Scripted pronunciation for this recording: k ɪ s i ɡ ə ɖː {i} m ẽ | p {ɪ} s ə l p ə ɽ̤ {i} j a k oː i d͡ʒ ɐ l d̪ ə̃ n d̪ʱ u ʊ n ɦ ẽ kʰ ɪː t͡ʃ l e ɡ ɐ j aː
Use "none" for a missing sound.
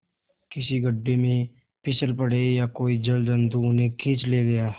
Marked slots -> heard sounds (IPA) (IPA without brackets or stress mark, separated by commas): e, ɪ, e